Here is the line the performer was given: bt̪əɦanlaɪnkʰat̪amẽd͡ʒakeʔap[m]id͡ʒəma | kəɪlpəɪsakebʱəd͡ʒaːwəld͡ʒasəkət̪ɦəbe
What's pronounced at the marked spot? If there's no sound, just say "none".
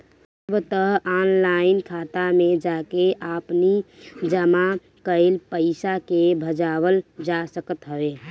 n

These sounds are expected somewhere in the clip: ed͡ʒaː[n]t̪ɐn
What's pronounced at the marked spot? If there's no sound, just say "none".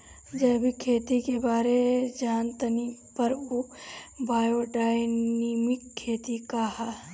n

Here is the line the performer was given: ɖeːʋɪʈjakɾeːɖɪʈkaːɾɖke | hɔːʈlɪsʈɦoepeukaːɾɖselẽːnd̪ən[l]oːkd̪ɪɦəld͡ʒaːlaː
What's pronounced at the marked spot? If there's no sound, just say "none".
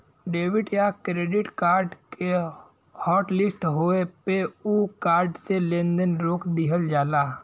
ɾ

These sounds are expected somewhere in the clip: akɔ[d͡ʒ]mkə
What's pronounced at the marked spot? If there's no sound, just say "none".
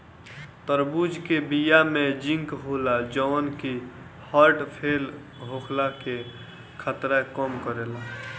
none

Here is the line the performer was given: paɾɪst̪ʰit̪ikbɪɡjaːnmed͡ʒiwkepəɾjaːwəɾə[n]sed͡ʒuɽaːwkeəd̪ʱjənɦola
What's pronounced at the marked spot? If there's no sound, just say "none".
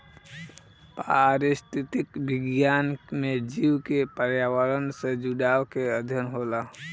n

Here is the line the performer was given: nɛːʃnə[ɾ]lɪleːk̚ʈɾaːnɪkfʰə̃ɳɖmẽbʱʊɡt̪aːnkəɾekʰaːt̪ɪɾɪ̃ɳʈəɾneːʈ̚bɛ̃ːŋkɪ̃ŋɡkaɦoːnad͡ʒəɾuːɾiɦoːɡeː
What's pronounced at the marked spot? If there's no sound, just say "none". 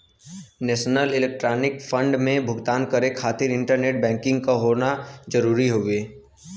none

